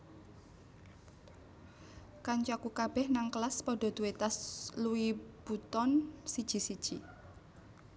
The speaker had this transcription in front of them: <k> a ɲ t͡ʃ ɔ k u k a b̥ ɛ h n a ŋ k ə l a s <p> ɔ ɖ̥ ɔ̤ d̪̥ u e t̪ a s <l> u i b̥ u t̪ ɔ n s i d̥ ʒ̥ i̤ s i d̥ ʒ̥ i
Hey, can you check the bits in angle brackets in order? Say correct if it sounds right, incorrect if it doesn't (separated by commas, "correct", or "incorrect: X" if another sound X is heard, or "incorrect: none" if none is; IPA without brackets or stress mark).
correct, correct, correct